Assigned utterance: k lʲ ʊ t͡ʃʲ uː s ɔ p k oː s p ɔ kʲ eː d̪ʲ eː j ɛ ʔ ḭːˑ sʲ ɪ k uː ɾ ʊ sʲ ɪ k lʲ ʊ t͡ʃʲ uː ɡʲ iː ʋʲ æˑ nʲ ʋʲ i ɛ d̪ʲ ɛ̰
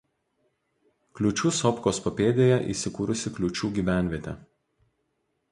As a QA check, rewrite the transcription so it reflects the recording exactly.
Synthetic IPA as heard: k lʲ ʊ t͡ʃʲ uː s ɔ p k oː s p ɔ pʲ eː d̪ʲ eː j ɛ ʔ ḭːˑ sʲ ɪ k uː ɾ ʊ sʲ ɪ k lʲ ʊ t͡ʃʲ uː ɡʲ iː ʋʲ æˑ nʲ ʋʲ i ɛ t̪ʲ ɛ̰